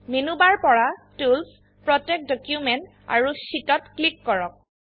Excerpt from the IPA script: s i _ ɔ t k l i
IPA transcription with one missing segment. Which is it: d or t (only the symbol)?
t